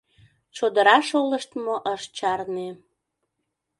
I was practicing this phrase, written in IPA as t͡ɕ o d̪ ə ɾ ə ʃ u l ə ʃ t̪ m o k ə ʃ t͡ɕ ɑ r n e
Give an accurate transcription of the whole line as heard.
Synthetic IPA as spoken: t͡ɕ o d̪ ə ɾ ɑ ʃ o l ə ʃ t̪ m o ʔ ə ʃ t͡ɕ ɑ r n e